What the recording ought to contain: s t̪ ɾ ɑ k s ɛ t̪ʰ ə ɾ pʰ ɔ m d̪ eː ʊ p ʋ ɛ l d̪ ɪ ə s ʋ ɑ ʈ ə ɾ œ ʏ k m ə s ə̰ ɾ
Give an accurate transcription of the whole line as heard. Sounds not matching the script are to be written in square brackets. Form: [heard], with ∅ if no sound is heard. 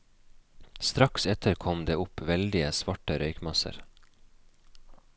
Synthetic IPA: s t̪ ɾ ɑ k s ɛ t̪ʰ ə ɾ [kʰ] ɔ m d̪ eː ʊ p ʋ ɛ l d̪ ɪ ə s ʋ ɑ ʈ ə ɾ œ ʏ k m [ɑ] s ə̰ ɾ